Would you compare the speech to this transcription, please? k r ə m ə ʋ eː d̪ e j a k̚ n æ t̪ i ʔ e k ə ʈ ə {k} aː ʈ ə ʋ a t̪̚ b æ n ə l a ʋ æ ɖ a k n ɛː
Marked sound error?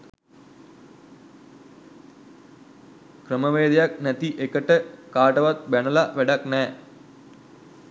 no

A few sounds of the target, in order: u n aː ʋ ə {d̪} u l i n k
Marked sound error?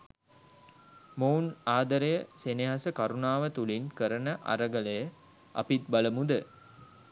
yes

